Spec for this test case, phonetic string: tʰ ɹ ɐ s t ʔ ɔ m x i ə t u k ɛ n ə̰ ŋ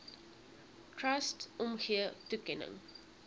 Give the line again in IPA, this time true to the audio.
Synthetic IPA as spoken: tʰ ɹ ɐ s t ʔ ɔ m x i ə t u k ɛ n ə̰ ŋ